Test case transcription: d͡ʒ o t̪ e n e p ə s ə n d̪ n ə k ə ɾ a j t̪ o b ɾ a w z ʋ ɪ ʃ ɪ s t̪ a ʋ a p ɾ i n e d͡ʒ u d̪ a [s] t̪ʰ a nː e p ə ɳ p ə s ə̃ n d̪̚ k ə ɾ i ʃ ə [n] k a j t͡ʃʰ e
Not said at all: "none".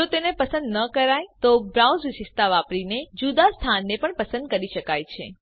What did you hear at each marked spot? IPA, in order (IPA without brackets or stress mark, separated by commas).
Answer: s, none